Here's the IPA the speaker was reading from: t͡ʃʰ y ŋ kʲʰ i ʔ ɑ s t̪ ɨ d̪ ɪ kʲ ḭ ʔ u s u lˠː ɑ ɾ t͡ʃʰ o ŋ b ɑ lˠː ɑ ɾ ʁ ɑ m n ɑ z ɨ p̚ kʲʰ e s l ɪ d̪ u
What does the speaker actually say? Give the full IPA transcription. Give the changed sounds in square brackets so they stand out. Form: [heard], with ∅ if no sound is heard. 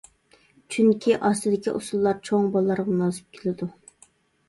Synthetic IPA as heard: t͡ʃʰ y ŋ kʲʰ i ʔ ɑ s t̪ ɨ d̪ ɪ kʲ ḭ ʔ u s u lˠː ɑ ɾ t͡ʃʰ o ŋ b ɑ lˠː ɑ ɾ ʁ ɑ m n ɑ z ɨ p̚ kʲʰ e [∅] l ɪ d̪ u